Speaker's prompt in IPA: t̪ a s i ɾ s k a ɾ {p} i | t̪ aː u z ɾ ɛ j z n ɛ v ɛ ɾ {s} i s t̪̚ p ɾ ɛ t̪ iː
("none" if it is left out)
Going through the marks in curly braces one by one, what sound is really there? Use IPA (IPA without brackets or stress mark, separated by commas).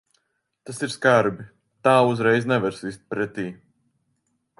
b, s